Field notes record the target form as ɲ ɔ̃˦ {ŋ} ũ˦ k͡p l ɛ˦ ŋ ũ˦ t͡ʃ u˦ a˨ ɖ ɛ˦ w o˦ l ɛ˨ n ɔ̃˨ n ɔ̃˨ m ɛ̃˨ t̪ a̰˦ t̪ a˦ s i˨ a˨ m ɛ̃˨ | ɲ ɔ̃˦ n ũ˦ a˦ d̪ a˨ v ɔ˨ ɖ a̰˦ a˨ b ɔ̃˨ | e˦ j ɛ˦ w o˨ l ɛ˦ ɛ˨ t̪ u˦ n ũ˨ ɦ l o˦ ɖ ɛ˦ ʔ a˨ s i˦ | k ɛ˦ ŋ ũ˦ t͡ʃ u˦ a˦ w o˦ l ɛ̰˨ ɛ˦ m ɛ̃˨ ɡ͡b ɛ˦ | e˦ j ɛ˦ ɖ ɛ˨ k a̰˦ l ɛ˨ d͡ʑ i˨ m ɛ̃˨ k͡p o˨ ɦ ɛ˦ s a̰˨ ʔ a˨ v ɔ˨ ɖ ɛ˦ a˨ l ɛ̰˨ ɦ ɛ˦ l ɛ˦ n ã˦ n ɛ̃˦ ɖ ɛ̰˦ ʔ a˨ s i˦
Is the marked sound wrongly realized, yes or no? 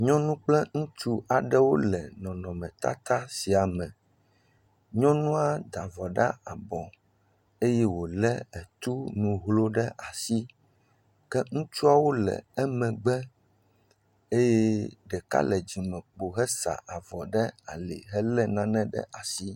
yes